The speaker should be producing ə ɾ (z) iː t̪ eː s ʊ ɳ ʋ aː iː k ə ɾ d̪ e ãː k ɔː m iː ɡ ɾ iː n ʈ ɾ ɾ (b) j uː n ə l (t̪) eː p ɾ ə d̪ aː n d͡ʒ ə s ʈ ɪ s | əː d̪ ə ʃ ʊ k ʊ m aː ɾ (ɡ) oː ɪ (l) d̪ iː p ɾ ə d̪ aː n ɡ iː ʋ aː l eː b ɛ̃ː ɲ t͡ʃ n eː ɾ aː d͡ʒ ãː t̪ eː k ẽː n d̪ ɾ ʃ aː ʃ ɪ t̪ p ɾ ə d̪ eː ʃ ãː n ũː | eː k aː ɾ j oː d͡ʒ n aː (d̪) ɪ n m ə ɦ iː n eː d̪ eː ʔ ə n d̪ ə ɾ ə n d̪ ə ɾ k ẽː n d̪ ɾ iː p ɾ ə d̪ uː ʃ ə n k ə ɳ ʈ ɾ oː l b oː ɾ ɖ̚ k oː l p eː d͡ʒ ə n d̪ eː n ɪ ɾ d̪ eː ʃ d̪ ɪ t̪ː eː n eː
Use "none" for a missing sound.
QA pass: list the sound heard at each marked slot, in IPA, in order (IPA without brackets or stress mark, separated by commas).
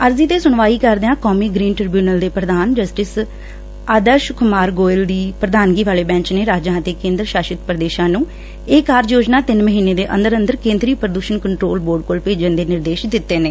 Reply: z, b, d̪, ɡ, l, t̪